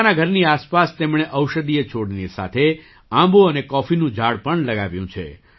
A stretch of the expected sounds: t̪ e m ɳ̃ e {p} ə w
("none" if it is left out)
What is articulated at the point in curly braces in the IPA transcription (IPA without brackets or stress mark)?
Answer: ʔ